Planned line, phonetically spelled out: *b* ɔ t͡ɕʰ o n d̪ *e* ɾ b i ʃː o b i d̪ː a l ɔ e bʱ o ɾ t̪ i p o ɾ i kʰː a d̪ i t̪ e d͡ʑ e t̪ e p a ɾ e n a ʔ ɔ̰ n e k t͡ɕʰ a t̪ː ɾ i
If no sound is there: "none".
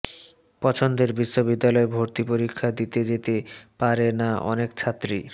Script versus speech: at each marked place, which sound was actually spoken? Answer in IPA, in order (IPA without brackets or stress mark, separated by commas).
p, e